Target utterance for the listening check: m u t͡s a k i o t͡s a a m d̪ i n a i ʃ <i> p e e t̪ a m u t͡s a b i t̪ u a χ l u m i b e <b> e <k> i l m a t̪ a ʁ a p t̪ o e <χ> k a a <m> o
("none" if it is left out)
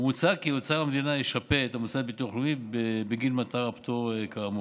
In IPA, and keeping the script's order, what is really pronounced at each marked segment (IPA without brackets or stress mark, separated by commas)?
a, b, ɡ, none, m